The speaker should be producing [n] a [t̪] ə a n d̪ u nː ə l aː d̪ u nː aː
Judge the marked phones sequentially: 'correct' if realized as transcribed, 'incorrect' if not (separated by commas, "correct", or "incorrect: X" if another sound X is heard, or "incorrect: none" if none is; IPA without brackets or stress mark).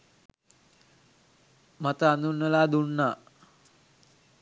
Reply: incorrect: m, correct